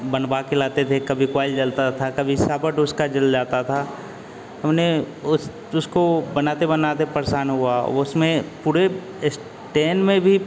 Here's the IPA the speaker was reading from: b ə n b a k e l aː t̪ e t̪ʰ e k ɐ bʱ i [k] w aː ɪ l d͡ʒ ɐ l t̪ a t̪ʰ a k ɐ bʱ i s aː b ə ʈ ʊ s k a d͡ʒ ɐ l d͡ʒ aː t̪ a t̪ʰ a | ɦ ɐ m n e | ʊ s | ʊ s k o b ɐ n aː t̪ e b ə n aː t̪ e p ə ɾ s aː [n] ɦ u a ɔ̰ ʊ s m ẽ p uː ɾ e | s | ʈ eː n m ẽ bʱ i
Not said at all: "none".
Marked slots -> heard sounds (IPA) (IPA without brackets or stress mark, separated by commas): k, n